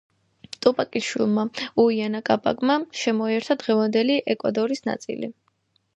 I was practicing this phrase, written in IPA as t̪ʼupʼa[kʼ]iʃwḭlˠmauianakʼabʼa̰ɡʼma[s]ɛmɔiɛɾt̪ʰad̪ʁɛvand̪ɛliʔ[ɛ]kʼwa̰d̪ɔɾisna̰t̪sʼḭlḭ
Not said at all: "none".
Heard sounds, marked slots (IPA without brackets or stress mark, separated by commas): kʼ, ʃ, ɛ